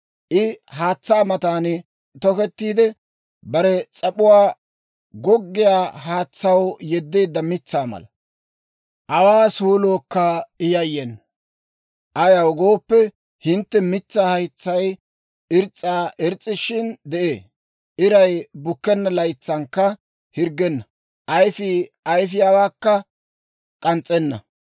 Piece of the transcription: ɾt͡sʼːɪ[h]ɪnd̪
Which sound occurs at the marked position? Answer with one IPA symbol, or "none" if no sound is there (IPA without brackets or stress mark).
ʃ